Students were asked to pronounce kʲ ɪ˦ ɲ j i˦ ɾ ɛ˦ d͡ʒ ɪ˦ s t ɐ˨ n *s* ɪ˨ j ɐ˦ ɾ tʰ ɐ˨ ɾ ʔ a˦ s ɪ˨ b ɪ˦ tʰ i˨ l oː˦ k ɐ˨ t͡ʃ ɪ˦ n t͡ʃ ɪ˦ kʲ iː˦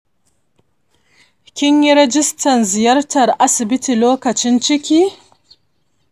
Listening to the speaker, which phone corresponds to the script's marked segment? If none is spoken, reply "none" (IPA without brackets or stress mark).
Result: z